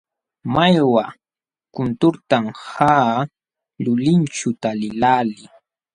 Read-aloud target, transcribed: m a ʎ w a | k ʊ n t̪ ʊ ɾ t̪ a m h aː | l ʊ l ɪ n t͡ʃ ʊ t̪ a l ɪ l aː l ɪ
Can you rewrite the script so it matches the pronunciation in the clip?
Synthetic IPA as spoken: m a j w a | k ʊ n t̪ ʊ ɾ t̪ a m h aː | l ʊ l ɪ n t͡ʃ ʊ t̪ a l ɪ l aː l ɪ